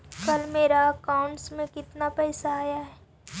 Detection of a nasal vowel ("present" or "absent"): present